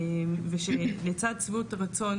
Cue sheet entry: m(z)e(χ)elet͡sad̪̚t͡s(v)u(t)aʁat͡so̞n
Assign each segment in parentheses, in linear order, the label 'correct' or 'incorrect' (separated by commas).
incorrect, incorrect, correct, correct